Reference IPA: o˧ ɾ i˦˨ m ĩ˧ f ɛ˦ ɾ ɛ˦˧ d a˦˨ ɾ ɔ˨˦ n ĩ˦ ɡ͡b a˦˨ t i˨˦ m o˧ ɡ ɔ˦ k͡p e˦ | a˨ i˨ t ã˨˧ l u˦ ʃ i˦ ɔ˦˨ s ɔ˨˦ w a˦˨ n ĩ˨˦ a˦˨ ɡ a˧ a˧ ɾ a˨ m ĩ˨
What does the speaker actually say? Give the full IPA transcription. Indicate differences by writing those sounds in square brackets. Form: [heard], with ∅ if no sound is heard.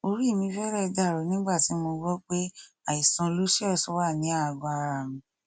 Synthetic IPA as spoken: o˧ ɾ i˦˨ m ĩ˧ f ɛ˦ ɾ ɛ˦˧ d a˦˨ ɾ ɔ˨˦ n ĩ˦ ɡ͡b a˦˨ t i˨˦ m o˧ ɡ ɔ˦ k͡p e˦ | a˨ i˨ [s] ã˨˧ l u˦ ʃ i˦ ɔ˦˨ s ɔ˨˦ w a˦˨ n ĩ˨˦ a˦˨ ɡ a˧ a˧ ɾ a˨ m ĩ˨